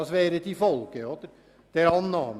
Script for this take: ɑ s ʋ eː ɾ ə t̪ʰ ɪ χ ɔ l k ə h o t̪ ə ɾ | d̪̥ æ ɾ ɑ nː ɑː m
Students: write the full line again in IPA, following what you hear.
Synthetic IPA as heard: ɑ s ʋ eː ɾ ə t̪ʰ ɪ f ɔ l k ə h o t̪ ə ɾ | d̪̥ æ ɾ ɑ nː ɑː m